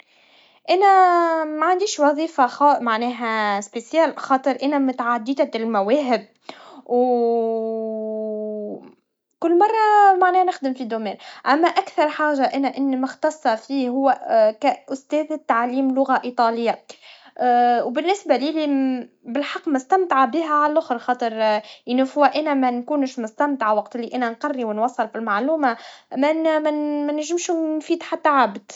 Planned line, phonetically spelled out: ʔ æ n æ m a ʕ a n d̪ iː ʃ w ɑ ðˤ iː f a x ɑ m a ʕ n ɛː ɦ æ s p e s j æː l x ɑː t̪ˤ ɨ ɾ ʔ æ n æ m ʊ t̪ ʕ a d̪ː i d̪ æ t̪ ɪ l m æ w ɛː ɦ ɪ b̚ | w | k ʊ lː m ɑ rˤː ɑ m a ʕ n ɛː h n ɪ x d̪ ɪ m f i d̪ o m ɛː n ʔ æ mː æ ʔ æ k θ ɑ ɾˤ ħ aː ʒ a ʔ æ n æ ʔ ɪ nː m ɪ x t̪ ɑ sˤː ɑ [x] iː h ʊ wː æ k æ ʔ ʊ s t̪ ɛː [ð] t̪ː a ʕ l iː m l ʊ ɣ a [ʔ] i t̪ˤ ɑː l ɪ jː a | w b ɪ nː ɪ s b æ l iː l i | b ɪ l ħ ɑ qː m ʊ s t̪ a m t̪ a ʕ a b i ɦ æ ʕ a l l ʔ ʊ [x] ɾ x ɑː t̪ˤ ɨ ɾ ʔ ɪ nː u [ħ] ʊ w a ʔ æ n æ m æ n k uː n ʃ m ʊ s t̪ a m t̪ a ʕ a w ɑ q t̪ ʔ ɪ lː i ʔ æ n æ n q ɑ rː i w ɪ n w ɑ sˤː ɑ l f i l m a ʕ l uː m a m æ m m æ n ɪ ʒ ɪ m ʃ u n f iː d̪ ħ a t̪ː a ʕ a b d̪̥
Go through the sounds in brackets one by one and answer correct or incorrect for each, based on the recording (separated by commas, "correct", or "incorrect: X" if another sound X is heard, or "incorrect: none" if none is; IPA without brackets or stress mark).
incorrect: f, correct, correct, correct, incorrect: f